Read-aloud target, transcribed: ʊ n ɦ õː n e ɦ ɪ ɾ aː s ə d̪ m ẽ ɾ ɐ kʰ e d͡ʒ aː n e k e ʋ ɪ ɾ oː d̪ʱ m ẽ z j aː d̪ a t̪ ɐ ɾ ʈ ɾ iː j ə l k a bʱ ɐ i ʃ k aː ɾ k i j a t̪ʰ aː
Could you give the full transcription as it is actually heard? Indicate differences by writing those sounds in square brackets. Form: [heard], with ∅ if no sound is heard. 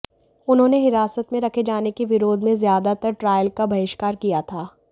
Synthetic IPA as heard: ʊ n ɦ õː n e ɦ ɪ ɾ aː s ə [t̪] m ẽ ɾ ɐ kʰ e d͡ʒ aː n e k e ʋ ɪ ɾ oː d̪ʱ m ẽ z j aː d̪ a t̪ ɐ ɾ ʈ ɾ [aː] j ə l k a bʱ ɐ [ɪ] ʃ k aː ɾ k i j a t̪ʰ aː